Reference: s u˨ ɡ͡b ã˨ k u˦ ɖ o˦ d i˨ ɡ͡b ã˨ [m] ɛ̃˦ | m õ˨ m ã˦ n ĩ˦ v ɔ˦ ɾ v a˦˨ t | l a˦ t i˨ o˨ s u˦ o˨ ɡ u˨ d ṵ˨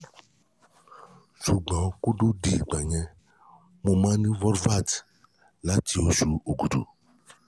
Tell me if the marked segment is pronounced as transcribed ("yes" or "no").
no